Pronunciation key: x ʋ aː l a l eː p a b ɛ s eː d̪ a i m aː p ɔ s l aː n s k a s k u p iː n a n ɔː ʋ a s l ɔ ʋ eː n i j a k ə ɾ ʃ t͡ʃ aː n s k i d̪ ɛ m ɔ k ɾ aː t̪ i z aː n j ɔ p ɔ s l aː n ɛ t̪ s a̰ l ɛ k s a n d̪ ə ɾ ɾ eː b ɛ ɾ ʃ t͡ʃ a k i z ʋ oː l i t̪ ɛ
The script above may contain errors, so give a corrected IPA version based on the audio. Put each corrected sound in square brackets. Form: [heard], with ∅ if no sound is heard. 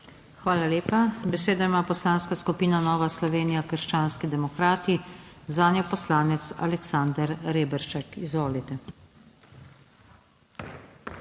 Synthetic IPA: x ʋ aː l a l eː p a b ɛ s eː d̪ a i m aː p ɔ s l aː n s k a s k u p iː n a n ɔː ʋ a s l ɔ ʋ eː n i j a k ə ɾ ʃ t͡ʃ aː n s k i d̪ ɛ m ɔ k ɾ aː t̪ i z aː n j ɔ p ɔ s l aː n ɛ t̪ s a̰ l ɛ k s a n d̪ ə ɾ ɾ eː b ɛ ɾ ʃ t͡ʃ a k i z ʋ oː l i t̪ ɛ